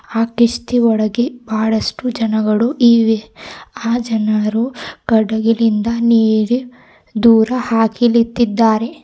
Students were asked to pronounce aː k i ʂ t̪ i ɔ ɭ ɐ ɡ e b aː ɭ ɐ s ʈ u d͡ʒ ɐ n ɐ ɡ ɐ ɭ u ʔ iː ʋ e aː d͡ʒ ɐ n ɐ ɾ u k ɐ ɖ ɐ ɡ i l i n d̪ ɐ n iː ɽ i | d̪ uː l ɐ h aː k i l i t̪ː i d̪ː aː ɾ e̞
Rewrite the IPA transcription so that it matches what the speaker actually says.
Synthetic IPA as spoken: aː k i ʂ t̪ i ɔ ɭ ɐ ɡ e b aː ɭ ɐ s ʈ u d͡ʒ ɐ n ɐ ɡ ɐ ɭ u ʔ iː ʋ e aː d͡ʒ ɐ n ɐ ɾ u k ɐ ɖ ɐ ɡ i l i n d̪ ɐ n iː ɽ i | d̪ uː ɾ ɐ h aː k i l i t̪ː i d̪ː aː ɾ e̞